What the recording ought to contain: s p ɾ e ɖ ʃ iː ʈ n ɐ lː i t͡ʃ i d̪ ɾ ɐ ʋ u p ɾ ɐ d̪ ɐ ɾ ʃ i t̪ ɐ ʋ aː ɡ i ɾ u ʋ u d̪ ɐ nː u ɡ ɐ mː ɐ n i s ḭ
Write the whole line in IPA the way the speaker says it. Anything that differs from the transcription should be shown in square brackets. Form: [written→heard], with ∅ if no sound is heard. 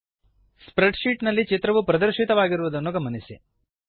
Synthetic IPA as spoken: s p ɾ e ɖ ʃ iː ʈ n ɐ lː i t͡ʃ i [d̪→t̪] ɾ ɐ ʋ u p ɾ ɐ d̪ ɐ ɾ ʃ i t̪ ɐ ʋ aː ɡ i ɾ u ʋ u d̪ ɐ nː u ɡ ɐ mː ɐ n i s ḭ

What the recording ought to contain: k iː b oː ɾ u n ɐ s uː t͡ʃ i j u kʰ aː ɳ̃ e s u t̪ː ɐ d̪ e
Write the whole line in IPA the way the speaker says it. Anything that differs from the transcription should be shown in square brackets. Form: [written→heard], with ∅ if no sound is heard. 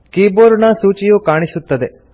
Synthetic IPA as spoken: k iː b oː ɾ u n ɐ s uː t͡ʃ i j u [kʰ→k] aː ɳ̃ [e→i] s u t̪ː ɐ d̪ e

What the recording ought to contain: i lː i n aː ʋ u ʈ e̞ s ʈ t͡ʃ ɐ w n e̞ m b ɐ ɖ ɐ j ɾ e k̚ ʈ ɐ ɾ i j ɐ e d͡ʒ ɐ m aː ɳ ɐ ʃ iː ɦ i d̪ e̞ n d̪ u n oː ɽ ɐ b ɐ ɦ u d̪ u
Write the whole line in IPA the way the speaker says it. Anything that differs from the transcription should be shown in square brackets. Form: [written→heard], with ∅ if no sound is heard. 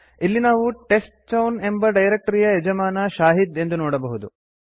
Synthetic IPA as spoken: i lː i n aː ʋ u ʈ e̞ s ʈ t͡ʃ ɐ w n e̞ m b ɐ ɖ ɐ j ɾ e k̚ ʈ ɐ ɾ i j ɐ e d͡ʒ ɐ m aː [ɳ→n] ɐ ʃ [iː→aː] ɦ i d̪ e̞ n d̪ u n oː ɽ ɐ b ɐ ɦ u d̪ u

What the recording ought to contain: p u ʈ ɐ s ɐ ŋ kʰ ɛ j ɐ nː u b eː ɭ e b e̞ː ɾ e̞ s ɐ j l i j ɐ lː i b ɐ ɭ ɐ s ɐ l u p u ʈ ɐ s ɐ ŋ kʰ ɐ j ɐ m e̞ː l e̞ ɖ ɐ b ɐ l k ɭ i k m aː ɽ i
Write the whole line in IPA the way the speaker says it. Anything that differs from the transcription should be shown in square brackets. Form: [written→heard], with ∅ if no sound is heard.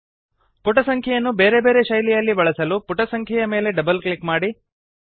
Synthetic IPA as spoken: p u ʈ ɐ s ɐ ŋ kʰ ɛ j ɐ nː u b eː [ɭ→ɾ] e b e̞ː ɾ e̞ [s→ʃ] ɐ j l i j ɐ lː i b ɐ ɭ ɐ s ɐ l u p u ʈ ɐ s ɐ ŋ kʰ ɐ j ɐ m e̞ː l e̞ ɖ ɐ b ɐ l k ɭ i k m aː ɽ i

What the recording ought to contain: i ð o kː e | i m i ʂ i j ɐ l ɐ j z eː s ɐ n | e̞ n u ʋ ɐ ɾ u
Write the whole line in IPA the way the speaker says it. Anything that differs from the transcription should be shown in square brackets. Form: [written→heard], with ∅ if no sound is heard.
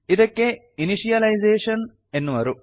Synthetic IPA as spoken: i ð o kː e | i [m→n] i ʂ i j ɐ l ɐ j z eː [s→ʂ] ɐ n | e̞ [n→nː] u ʋ ɐ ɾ u

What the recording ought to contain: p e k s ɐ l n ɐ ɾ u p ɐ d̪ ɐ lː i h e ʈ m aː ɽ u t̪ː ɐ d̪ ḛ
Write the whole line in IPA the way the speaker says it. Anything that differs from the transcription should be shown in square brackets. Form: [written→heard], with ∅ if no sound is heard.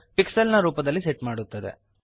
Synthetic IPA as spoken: p [e→i] k s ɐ l n ɐ ɾ [u→uː] p ɐ d̪ ɐ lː i [h→s] e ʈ m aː ɽ u t̪ː ɐ d̪ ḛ

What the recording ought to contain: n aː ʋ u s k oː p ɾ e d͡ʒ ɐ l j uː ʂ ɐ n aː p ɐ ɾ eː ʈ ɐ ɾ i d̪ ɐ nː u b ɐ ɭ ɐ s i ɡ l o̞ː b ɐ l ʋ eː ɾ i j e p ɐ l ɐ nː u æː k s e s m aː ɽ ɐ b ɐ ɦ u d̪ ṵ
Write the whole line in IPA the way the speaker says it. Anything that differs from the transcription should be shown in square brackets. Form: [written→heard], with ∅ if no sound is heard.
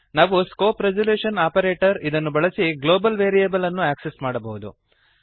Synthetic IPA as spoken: n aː ʋ u s k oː p ɾ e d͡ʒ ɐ l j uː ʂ ɐ n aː p ɐ ɾ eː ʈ ɐ ɾ i d̪ ɐ nː u b ɐ ɭ ɐ s i ɡ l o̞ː b ɐ l ʋ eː ɾ i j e [p→b] ɐ l ɐ nː u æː k s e s m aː ɽ ɐ b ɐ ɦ u d̪ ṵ

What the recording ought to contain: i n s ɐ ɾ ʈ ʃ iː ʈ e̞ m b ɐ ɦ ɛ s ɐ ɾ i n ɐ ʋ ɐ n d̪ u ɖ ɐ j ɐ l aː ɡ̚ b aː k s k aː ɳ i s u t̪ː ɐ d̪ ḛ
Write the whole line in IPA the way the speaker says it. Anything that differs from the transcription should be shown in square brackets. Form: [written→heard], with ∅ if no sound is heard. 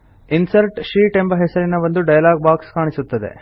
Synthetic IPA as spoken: i n s ɐ ɾ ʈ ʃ iː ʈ e̞ m b ɐ ɦ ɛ s ɐ ɾ i n ɐ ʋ ɐ n d̪ u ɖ ɐ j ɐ l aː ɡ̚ b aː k s k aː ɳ i s u t̪ː ɐ d̪ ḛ

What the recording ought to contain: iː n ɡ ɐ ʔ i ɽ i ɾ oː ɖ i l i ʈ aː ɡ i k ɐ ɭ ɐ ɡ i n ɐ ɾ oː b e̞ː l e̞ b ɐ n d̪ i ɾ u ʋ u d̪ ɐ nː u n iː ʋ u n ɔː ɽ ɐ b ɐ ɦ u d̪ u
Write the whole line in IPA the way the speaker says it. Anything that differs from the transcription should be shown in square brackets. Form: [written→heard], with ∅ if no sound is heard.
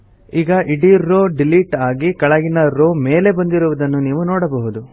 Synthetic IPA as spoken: iː [n→∅] ɡ ɐ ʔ i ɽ i ɾ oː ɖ i l i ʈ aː ɡ i k ɐ ɭ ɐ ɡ i n ɐ ɾ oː [b→m] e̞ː l e̞ b ɐ n d̪ i ɾ u ʋ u d̪ ɐ nː u n iː ʋ u n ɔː ɽ ɐ b ɐ ɦ u d̪ u

